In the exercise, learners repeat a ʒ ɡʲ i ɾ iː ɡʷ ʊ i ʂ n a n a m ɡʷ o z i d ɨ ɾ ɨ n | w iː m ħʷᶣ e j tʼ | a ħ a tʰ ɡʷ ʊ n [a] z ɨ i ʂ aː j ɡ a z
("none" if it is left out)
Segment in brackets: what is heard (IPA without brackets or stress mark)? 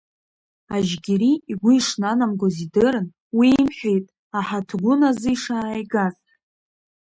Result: a